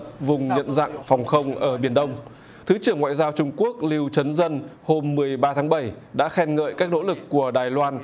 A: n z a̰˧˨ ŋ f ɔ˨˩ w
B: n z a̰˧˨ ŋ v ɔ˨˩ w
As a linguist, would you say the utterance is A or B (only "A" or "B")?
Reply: A